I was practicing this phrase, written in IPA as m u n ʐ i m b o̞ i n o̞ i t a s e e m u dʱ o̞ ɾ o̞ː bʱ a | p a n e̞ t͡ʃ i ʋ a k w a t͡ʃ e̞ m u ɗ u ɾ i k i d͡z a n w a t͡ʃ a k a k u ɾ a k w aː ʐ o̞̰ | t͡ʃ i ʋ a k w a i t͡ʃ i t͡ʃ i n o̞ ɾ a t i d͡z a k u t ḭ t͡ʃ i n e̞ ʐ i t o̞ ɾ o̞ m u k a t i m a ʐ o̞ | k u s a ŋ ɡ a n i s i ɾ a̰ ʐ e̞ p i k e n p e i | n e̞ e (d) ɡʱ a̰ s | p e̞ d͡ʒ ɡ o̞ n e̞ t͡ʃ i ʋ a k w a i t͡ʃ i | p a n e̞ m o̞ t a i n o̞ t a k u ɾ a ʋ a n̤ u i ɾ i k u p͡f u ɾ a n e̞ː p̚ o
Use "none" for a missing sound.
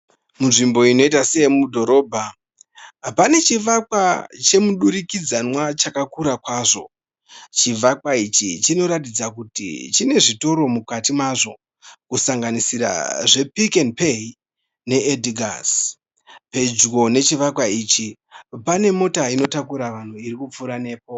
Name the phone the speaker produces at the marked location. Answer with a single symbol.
d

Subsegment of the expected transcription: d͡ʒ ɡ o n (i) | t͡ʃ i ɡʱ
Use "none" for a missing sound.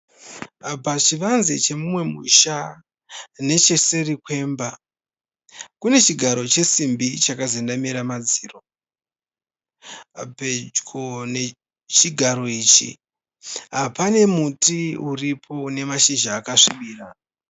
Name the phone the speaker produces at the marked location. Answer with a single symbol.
e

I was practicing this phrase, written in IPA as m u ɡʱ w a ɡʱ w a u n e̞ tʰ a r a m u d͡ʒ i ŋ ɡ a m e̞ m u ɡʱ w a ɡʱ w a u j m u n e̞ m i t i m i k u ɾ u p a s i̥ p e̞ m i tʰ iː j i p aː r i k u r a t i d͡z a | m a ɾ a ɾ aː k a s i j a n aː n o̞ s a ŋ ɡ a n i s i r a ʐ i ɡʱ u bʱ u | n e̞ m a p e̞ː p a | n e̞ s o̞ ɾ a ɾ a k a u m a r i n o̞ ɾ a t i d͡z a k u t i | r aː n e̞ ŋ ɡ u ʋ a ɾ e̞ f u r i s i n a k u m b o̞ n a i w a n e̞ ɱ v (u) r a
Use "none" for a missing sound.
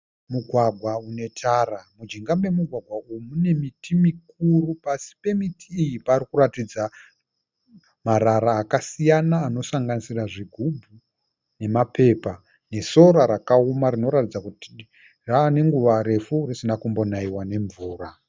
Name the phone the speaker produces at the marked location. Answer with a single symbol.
uː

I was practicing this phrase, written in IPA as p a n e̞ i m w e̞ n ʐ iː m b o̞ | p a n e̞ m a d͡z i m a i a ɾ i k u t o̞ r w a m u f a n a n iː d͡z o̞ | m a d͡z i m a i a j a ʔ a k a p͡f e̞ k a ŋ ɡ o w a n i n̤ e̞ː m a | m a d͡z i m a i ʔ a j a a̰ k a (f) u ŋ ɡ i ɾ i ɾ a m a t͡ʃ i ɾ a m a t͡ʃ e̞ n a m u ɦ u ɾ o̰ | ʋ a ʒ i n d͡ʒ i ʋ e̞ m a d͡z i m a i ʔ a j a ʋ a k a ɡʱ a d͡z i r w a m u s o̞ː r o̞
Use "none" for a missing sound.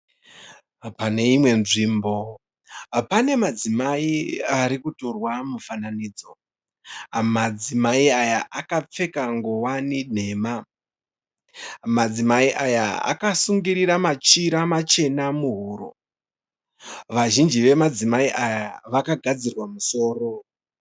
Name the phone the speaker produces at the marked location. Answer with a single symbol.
s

